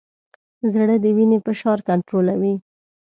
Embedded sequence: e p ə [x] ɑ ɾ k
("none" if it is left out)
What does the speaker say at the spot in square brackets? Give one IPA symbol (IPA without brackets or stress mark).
ʃ